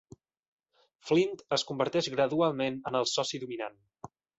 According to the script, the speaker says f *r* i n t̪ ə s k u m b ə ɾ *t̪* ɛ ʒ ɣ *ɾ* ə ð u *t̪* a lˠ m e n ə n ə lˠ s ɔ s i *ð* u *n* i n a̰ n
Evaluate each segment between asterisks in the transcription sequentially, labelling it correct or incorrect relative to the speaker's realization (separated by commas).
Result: incorrect, correct, correct, incorrect, correct, incorrect